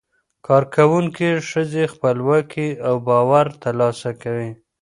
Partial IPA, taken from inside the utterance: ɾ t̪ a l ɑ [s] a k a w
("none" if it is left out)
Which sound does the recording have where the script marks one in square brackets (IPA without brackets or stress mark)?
s